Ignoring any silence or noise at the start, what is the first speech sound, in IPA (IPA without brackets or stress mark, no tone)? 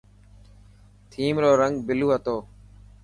t̪ʰ